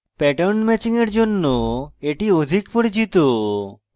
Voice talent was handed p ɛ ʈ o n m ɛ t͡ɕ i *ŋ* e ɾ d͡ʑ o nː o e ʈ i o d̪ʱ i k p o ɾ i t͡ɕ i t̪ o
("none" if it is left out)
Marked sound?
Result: ŋ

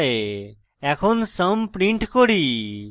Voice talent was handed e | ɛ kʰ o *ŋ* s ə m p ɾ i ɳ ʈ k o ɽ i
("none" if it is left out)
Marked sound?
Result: n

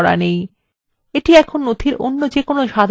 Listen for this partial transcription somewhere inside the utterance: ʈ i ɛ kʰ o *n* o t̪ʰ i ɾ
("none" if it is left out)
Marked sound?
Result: nː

